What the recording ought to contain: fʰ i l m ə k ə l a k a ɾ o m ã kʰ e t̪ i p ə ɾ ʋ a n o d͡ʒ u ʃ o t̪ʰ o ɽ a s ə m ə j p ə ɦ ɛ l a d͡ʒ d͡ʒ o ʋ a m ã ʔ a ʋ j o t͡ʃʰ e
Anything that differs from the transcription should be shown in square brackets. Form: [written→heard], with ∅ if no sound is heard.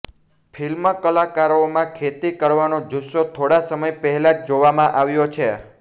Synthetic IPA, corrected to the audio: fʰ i l m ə k ə l a k a ɾ o m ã kʰ e t̪ i [p→k] ə ɾ ʋ a n o d͡ʒ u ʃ o t̪ʰ o ɽ a s ə m ə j p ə ɦ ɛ l a d͡ʒ d͡ʒ o ʋ a m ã ʔ a ʋ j o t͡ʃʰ e